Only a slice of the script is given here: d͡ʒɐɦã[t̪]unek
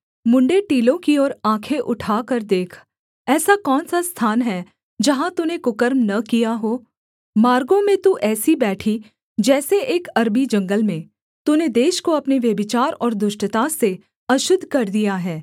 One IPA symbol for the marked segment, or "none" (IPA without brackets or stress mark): t̪